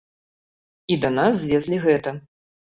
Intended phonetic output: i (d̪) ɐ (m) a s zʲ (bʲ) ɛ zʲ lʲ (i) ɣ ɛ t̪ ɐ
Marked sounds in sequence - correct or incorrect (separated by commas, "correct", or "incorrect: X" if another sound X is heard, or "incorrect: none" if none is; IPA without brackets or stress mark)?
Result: correct, incorrect: n, incorrect: vʲ, correct